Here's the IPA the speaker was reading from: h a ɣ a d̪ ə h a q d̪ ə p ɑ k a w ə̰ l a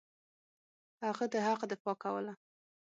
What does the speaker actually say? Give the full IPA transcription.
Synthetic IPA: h a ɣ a d̪ ə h a q d̪ ə p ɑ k a w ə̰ l a

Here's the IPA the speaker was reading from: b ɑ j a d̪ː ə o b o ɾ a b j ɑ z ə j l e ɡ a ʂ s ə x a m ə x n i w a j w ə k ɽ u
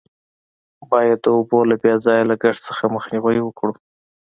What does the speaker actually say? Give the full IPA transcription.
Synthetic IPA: b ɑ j a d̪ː ə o b o l a b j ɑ z ɑ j l a ɡ a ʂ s ə x a m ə x n i w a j w ə k ɽ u

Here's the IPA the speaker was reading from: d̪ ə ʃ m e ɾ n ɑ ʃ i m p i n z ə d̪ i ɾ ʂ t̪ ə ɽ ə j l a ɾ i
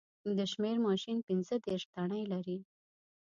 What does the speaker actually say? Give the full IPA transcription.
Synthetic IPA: d̪ ə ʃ m e ɾ m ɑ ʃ i n p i n z ə d̪ e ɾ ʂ t̪ a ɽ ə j l a ɾ i

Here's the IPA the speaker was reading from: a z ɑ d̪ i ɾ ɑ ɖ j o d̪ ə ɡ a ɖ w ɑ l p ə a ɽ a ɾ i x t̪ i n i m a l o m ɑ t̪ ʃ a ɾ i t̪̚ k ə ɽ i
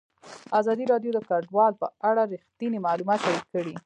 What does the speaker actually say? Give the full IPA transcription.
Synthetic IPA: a z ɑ d̪ i ɾ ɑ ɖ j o d̪ ə k a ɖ w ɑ l p ə a ɽ a ɾ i x t̪ i n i m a l u m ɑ t̪ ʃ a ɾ i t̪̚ k ə ɽ i

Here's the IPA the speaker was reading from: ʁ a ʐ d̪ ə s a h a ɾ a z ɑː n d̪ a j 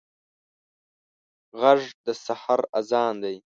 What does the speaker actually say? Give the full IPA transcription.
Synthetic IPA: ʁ a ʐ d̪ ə s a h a ɾ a z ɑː n d̪ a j

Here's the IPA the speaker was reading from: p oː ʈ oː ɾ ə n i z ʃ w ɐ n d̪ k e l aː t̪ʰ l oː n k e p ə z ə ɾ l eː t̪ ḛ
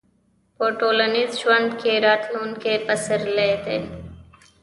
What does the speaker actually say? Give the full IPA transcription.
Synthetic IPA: p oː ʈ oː l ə n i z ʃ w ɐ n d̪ k e ɾ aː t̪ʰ l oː n k e p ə s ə ɾ l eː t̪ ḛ

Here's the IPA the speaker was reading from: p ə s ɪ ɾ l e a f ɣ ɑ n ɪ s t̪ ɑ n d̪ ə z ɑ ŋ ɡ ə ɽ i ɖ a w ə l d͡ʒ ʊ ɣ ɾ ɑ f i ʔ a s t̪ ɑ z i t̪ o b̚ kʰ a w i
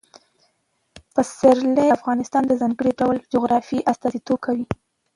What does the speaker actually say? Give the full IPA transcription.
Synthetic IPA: p ə s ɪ ɾ l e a f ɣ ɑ n ɪ s t̪ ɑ n d̪ ə z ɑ ŋ ɡ ə ɽ i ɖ a w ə l d͡ʒ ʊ ɣ ɾ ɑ f i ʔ a s t̪ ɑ z i t̪ o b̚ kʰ a w i

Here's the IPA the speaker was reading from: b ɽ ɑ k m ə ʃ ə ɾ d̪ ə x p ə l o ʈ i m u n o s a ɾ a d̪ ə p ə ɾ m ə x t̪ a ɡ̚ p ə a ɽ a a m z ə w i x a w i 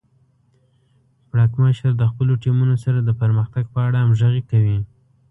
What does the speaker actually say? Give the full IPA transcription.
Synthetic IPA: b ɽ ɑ k m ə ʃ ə ɾ d̪ ə x p ə l o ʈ i m u n o s a ɾ a d̪ ə p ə ɾ m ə x t̪ a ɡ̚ p ə a ɽ a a m ʒ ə ɣ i k a w i

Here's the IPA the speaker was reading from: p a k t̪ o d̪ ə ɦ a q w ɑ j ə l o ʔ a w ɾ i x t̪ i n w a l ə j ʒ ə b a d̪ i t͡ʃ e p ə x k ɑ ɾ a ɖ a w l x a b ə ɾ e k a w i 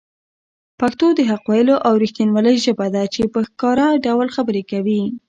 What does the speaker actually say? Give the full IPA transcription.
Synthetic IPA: p a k t̪ o d̪ ə ɦ a q w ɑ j ə l o ʔ a w ɾ i x t̪ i n w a l ə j ʒ ə b a d̪ a t͡ʃ e p ə x k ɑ ɾ a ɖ a w l x a b ə ɾ e k a w i

